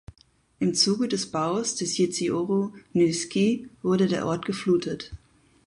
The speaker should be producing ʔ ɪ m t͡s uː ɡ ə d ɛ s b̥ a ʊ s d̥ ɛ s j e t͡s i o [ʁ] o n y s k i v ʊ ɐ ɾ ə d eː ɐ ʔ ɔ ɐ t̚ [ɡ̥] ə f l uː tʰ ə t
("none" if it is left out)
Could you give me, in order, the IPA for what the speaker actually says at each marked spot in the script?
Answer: ʁ, ɡ̥

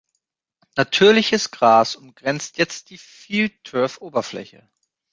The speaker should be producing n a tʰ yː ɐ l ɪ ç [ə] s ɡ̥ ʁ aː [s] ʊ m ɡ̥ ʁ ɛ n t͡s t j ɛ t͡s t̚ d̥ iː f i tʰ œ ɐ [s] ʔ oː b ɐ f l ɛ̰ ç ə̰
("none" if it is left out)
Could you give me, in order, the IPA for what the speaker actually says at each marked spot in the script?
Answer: ə, s, f

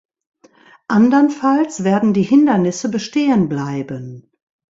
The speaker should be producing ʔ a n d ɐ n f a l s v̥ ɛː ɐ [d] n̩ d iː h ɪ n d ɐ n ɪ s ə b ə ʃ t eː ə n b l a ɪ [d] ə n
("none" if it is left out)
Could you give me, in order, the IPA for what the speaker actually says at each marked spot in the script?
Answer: d, b

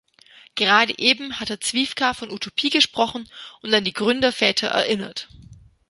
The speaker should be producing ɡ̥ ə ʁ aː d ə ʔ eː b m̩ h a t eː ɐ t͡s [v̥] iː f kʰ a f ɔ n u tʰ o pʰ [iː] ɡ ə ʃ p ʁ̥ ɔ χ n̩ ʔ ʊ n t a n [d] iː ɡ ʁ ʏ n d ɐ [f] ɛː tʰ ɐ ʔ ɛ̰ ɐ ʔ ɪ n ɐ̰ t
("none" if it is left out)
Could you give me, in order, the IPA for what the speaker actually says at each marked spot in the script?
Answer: v̥, iː, d, f

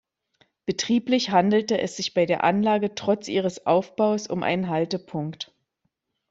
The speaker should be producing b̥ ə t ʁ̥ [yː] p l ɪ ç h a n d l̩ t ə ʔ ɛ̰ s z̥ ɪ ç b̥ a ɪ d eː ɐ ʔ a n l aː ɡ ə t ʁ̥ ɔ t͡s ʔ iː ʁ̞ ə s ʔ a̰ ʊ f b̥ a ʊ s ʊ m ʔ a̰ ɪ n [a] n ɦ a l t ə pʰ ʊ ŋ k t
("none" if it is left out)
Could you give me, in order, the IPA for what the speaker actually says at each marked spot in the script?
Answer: iː, ə

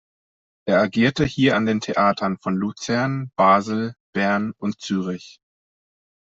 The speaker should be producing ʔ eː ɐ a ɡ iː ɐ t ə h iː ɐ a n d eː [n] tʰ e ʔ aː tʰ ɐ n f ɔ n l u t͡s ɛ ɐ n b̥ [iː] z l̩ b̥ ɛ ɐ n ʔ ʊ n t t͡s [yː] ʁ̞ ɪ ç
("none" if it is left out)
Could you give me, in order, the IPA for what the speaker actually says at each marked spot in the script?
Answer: n, aː, yː

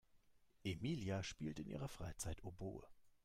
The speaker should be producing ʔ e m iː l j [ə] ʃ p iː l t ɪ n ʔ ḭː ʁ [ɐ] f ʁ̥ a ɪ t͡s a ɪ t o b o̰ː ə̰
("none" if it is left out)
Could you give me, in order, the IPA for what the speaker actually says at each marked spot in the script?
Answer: a, ɐ

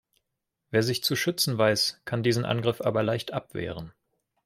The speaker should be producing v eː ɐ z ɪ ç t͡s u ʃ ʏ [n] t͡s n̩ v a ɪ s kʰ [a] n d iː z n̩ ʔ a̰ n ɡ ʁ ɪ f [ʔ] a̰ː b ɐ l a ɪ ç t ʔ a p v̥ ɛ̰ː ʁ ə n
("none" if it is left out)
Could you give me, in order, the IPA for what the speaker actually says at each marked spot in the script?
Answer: none, a, ʔ

